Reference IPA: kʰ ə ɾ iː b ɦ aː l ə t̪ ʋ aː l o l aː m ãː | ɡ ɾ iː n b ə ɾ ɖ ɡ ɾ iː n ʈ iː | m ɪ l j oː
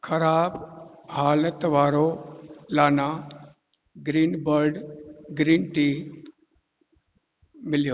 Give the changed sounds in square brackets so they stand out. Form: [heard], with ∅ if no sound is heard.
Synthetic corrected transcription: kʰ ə ɾ [aː] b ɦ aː l ə t̪ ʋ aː [ɾ] o l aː [n] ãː | ɡ ɾ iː n b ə ɾ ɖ ɡ ɾ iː n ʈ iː | m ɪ l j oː